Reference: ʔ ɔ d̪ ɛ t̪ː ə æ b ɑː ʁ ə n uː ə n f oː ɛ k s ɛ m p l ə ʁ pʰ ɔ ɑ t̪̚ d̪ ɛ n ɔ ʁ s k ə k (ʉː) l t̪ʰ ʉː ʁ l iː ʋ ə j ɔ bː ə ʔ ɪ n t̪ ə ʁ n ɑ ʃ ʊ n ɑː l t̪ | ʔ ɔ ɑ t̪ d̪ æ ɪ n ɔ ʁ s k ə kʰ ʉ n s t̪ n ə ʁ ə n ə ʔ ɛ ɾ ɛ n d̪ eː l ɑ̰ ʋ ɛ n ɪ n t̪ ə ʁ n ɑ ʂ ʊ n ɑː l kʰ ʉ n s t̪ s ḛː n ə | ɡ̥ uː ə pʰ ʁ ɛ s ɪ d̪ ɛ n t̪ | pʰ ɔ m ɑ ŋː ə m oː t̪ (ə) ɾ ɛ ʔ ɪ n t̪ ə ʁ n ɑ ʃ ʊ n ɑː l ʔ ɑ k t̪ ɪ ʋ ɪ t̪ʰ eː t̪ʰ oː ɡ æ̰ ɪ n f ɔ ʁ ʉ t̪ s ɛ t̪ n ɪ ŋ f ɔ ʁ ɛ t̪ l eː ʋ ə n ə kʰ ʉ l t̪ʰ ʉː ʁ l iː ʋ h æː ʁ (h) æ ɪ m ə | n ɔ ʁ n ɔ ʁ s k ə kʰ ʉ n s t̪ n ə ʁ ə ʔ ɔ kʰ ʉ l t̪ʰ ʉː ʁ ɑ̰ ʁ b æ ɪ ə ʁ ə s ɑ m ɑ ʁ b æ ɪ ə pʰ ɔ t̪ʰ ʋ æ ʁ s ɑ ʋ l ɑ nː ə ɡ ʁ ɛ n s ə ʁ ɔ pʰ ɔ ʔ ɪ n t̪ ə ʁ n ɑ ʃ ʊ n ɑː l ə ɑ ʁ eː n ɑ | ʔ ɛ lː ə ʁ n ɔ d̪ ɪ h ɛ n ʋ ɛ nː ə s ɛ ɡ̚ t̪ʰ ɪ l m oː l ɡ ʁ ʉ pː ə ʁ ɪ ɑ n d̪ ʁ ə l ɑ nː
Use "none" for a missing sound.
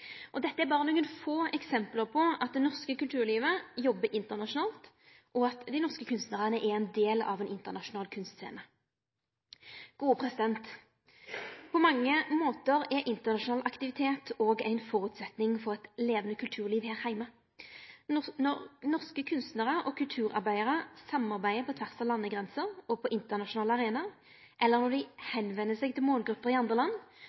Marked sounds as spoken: ʉ, ə, h

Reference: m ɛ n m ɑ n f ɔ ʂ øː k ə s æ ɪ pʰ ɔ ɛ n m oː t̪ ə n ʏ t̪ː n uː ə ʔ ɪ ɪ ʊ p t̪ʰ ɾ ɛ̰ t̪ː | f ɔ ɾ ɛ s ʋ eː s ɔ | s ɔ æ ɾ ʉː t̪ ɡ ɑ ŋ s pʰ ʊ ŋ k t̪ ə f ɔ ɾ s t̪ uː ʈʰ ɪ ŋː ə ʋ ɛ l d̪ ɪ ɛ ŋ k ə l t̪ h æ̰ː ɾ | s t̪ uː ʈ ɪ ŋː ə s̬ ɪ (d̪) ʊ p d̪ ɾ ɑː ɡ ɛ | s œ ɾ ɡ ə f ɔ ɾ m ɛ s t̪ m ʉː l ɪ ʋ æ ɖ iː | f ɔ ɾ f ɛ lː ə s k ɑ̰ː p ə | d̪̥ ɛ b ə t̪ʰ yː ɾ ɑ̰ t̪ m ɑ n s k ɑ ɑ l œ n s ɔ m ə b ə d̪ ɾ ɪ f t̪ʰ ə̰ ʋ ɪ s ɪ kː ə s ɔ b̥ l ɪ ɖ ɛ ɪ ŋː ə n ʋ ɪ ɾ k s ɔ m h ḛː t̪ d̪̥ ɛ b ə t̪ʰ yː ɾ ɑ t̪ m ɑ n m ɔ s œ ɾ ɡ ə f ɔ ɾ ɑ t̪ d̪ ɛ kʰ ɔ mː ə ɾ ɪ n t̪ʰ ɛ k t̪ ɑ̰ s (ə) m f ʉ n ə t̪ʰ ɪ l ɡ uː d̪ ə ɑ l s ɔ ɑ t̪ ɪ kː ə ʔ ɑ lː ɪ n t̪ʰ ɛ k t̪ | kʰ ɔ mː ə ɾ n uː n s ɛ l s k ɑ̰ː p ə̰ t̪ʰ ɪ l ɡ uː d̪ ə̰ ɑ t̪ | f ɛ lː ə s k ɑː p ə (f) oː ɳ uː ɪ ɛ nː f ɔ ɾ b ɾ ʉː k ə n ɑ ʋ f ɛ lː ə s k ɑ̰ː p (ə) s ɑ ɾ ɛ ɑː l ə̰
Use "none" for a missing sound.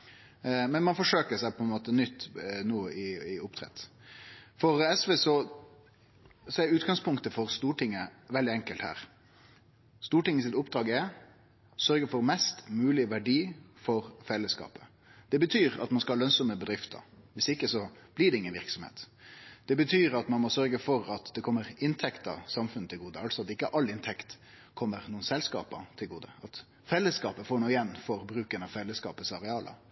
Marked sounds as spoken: t̪, ɑ, f, ə

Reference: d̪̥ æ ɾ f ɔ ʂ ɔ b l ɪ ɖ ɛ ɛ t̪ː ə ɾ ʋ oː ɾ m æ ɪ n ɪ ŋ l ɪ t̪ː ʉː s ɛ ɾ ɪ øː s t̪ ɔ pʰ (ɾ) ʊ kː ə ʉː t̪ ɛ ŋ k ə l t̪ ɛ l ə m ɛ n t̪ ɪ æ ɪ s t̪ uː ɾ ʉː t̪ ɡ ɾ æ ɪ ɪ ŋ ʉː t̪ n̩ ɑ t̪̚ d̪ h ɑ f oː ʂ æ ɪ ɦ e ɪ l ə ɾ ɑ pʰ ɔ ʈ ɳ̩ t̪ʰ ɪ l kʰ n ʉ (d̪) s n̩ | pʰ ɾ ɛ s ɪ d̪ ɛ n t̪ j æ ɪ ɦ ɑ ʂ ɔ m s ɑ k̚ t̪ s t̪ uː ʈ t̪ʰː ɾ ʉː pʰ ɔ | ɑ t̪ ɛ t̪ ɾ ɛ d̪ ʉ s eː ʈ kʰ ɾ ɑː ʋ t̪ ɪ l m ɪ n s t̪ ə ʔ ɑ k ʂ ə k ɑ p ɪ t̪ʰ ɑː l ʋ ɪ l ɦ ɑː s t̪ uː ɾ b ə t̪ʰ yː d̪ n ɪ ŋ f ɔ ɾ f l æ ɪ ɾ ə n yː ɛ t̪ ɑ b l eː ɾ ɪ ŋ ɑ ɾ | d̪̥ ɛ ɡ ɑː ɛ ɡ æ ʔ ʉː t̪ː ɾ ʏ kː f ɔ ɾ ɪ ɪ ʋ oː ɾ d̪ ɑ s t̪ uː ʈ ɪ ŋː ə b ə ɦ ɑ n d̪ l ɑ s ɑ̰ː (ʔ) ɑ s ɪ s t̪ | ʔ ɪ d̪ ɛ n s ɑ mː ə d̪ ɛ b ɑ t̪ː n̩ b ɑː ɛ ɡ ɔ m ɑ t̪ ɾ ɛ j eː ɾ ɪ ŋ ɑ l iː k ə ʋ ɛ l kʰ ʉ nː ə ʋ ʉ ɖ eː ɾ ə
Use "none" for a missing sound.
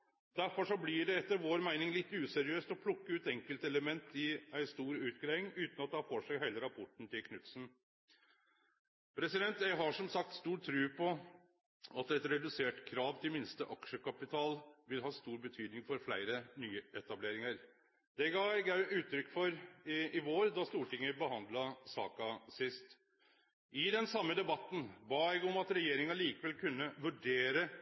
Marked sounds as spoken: l, t̪, k

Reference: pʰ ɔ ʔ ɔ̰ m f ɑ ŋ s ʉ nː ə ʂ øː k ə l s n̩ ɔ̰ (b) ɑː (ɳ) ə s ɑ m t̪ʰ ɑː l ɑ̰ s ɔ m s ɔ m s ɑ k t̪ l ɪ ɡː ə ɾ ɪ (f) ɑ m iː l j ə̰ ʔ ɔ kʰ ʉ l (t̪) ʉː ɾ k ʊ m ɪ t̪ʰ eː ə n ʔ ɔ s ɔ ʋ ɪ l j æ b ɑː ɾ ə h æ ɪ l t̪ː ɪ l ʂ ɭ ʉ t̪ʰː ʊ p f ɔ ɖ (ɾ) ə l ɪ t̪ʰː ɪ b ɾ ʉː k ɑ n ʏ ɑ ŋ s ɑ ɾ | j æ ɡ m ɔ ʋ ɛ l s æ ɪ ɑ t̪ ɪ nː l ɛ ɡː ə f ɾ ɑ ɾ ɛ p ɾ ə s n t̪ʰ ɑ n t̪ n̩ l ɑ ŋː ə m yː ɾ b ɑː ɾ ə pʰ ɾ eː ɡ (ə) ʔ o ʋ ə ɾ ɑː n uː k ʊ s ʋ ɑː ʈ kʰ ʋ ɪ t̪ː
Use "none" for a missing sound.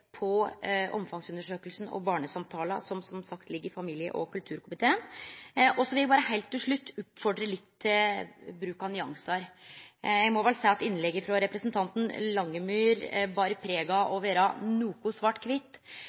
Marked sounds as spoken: b, ɳ, f, t̪ʰ, ɾ, ɑ

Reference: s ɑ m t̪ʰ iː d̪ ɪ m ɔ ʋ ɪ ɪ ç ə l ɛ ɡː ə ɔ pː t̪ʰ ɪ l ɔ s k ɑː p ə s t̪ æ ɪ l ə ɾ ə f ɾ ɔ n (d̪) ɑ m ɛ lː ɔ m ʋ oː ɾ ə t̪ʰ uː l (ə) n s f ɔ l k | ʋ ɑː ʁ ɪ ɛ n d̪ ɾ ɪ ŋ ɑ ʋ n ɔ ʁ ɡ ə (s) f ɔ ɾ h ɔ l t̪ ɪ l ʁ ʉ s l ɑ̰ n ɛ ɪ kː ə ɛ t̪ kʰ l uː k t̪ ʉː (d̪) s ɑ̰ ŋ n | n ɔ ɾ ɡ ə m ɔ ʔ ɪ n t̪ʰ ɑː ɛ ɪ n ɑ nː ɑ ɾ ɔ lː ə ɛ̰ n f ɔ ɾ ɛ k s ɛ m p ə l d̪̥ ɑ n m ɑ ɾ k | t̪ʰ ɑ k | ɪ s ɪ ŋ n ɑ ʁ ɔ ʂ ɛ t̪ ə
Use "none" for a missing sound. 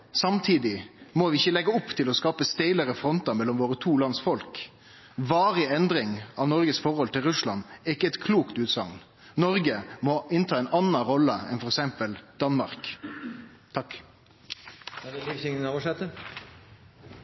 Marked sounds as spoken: t̪, ɑ, s, t̪

